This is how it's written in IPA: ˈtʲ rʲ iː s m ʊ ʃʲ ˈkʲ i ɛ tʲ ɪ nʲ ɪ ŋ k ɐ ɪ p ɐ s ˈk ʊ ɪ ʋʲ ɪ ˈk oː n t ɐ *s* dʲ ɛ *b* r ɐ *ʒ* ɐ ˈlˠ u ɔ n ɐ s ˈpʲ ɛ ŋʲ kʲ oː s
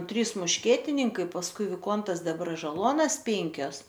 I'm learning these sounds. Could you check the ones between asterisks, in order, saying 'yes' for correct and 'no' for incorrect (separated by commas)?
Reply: yes, yes, yes